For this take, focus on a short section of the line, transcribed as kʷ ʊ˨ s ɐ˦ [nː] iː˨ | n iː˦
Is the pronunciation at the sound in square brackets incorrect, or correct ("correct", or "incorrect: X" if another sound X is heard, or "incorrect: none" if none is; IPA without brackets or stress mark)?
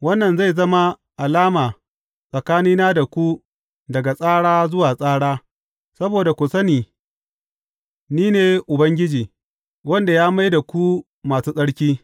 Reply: incorrect: n